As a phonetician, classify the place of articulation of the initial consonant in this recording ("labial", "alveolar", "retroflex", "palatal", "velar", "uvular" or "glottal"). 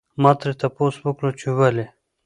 labial